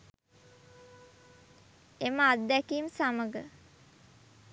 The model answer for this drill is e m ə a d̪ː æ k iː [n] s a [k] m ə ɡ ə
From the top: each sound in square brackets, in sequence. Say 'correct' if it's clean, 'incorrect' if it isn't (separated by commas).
incorrect, incorrect